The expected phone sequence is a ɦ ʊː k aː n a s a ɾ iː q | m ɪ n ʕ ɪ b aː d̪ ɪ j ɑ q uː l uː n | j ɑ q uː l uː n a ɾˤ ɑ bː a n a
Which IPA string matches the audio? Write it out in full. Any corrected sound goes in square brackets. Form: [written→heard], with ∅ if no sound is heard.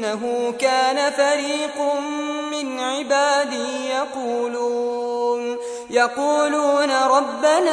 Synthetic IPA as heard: a ɦ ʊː k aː n a [s→f] a ɾ iː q | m ɪ n ʕ ɪ b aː d̪ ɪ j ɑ q uː l uː n | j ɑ q uː l uː n a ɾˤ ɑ bː a n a